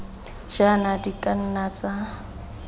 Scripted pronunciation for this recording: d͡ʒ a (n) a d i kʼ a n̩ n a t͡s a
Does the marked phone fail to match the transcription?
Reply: no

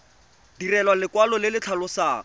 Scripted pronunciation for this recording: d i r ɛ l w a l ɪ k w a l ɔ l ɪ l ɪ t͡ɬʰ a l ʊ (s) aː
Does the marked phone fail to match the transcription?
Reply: no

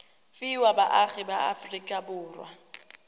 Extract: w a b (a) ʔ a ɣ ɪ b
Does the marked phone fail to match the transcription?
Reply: no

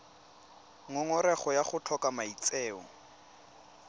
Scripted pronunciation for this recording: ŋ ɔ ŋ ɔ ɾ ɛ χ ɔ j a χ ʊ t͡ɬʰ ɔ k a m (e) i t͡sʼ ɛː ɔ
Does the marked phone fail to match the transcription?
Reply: yes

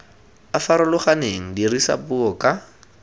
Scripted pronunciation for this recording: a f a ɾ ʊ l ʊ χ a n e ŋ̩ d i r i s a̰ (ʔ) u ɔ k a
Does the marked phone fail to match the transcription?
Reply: yes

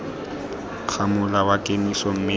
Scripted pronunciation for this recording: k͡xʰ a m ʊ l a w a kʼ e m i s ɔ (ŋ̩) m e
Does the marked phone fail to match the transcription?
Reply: yes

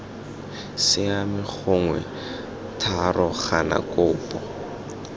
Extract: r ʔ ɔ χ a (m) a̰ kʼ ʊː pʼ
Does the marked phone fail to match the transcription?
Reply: yes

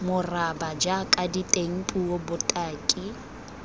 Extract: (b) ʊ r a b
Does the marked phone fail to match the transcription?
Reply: yes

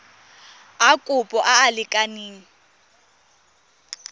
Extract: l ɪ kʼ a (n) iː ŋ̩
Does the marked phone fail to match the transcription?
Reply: no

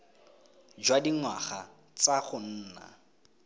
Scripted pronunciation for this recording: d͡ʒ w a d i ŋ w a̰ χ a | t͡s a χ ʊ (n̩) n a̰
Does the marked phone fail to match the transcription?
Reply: yes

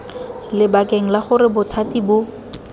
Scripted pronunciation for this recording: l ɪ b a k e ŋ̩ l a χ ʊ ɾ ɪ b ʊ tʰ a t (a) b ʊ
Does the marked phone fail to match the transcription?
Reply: yes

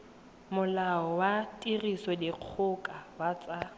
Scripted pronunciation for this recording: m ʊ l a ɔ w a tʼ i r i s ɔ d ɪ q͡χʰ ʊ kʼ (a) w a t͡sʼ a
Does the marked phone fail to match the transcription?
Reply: no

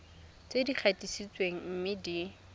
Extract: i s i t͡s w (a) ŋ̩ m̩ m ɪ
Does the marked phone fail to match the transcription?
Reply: yes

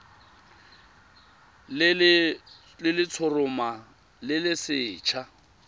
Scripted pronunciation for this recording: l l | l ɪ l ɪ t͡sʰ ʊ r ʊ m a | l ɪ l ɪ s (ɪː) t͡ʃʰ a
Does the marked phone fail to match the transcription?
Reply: no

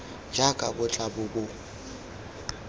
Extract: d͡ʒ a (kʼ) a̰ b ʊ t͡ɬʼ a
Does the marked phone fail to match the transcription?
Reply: no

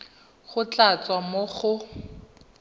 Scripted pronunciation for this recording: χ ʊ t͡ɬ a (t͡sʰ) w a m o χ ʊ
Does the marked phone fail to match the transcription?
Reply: yes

